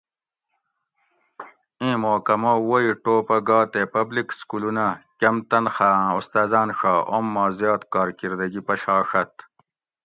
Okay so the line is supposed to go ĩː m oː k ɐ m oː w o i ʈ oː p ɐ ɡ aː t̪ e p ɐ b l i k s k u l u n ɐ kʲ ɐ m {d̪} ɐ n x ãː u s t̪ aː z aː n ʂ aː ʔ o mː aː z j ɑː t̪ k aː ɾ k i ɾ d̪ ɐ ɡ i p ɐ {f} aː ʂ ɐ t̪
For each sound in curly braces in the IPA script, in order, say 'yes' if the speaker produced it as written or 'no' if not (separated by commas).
no, no